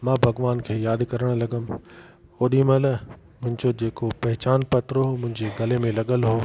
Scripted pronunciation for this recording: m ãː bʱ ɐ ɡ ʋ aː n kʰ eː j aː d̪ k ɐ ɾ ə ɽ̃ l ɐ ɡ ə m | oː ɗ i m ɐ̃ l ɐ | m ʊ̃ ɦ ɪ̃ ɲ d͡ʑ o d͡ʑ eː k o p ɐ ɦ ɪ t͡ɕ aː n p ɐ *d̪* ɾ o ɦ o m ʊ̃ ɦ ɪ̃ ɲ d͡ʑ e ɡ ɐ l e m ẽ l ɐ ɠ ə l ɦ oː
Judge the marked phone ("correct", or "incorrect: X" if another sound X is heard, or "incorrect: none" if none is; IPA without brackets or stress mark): incorrect: t̪